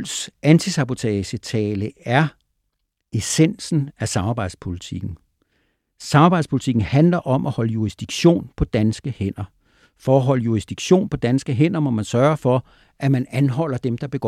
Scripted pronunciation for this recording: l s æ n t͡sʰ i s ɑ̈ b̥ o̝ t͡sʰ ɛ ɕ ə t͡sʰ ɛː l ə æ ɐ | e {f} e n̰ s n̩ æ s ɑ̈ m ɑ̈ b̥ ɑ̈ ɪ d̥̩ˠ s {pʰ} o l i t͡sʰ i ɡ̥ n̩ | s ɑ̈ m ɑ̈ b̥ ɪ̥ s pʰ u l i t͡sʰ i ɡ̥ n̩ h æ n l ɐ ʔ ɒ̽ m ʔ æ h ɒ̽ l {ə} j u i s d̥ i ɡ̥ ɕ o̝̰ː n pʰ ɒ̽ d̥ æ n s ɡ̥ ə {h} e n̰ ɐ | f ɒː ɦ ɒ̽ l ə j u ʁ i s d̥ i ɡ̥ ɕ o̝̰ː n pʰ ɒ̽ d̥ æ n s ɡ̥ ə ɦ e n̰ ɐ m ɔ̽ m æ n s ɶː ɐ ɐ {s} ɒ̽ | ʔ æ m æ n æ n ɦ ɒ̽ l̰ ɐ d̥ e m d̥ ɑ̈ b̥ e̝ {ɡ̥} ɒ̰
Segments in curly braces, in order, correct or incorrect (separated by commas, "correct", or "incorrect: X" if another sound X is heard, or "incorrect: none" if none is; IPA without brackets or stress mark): incorrect: s, correct, correct, correct, incorrect: f, correct